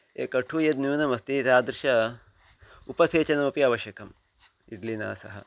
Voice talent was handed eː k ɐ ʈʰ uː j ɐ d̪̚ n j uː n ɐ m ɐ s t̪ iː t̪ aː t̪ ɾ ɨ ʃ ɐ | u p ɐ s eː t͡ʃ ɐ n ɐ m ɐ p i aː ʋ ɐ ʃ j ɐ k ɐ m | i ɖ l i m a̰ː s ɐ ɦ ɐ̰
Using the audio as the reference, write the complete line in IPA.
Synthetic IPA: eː k ɐ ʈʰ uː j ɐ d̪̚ n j uː n ɐ m ɐ s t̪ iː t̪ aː d̪ ɾ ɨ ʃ ɐ | u p ɐ s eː t͡ʃ ɐ n ɐ m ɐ p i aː ʋ ɐ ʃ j ɐ k ɐ m | i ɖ l i n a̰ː s ɐ ɦ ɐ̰